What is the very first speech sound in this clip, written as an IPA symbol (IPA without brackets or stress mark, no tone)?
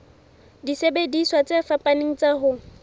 d